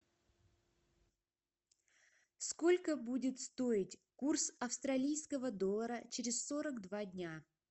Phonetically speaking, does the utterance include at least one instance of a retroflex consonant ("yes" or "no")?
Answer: no